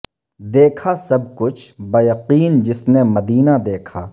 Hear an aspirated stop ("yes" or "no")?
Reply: yes